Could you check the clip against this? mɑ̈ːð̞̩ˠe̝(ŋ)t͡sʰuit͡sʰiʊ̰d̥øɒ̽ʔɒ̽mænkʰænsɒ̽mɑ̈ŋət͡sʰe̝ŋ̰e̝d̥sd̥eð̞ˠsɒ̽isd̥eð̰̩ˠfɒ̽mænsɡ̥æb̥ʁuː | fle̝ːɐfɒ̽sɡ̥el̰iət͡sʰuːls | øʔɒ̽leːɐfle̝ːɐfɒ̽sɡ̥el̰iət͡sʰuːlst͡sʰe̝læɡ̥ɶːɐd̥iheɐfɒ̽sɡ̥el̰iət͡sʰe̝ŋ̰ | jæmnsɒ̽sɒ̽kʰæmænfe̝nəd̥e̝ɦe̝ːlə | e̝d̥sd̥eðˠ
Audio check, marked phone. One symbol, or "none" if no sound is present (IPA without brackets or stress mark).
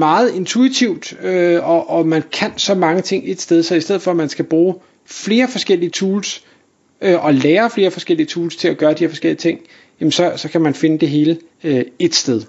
n